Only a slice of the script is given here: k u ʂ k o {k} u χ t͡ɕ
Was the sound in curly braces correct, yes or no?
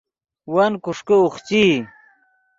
no